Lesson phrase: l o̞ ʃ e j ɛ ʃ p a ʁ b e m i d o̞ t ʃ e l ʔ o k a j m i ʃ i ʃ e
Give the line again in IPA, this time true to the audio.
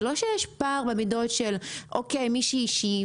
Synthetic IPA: l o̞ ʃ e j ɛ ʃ p a ʁ b e m i d o̞ t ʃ e l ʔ o k e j m i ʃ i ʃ i